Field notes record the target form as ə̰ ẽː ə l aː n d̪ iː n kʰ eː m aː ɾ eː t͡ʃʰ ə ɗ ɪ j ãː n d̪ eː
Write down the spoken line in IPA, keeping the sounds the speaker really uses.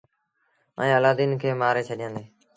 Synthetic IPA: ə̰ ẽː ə l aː d̪ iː n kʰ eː m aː ɾ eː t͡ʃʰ ə ɗ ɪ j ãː n d̪ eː